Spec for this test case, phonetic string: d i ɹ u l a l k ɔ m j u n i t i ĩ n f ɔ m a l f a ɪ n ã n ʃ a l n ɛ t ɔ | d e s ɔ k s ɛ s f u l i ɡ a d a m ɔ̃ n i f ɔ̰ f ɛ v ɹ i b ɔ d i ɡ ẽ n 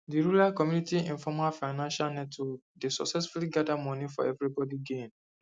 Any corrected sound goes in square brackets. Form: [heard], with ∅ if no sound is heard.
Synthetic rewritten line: d i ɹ u l a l k ɔ m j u n i t i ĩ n f ɔ m a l f a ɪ n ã n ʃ a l n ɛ t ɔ | d e s ɔ k s ɛ s f u l i ɡ a d a m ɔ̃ n i f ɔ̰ [∅] ɛ v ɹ i b ɔ d i ɡ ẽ n